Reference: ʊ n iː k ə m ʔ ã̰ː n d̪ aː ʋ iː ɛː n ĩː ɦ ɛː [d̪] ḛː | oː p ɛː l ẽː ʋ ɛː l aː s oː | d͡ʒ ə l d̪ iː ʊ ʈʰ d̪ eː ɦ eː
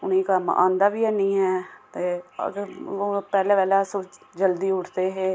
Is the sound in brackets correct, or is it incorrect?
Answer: incorrect